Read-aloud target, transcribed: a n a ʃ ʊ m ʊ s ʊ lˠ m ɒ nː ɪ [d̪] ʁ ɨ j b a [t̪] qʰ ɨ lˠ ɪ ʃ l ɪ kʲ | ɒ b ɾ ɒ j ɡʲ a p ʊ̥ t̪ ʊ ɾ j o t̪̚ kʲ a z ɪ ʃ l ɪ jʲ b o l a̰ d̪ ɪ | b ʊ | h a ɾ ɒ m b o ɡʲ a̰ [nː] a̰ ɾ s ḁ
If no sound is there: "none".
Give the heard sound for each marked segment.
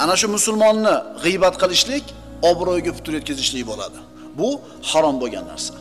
none, t̪, nː

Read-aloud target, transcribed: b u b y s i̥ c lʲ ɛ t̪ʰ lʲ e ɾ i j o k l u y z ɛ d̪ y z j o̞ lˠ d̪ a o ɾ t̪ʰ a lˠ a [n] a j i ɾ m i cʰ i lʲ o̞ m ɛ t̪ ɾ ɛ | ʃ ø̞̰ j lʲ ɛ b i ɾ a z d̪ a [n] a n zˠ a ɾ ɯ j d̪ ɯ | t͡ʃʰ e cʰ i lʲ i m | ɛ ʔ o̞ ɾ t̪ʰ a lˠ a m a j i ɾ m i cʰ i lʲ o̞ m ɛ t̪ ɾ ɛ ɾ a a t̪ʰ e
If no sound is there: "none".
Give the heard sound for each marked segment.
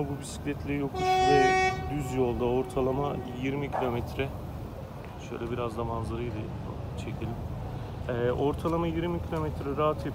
m, m

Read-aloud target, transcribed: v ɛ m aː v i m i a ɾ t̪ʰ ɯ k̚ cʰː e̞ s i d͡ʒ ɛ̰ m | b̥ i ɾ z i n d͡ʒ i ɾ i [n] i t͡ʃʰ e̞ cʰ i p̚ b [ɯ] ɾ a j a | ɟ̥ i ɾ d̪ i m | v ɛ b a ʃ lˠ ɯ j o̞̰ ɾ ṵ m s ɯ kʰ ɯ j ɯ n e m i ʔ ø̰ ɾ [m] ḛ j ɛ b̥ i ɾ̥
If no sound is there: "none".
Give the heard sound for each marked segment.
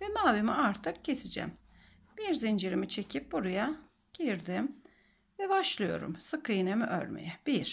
m, u, m

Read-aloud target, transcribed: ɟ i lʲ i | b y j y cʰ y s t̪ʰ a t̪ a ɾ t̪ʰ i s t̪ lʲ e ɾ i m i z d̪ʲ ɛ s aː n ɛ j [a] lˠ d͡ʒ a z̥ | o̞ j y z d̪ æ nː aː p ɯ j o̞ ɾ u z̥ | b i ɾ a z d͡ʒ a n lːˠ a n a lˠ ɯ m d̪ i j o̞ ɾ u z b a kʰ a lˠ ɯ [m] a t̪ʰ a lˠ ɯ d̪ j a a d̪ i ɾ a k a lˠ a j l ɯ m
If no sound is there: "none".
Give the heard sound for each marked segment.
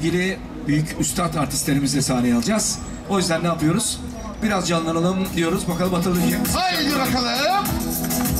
a, m

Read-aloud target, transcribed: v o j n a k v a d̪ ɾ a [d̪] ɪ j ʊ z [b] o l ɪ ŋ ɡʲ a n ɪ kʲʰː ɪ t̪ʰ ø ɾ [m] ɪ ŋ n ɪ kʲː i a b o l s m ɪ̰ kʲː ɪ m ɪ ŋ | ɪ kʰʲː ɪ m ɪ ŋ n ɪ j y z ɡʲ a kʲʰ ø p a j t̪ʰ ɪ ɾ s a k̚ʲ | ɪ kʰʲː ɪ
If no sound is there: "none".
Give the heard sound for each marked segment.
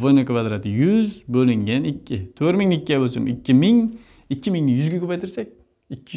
t̪, b, m

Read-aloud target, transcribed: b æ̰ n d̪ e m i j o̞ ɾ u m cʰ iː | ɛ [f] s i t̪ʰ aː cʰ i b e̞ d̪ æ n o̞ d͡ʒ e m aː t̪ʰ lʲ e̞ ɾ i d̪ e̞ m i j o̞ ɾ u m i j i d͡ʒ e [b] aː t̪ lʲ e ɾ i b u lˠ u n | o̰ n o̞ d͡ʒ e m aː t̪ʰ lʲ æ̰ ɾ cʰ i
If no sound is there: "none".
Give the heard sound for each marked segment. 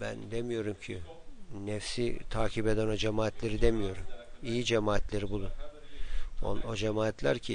f, m

